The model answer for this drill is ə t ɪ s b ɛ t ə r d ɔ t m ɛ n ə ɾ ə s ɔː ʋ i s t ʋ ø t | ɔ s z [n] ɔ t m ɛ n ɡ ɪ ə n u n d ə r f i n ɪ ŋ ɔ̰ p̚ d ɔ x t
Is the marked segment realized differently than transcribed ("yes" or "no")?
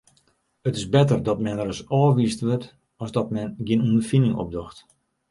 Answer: yes